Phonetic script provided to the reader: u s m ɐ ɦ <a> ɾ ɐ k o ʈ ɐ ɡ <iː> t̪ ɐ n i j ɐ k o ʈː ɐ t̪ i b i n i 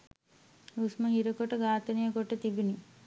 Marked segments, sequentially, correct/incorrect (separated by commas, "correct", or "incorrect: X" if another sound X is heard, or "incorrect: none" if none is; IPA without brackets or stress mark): incorrect: i, incorrect: aː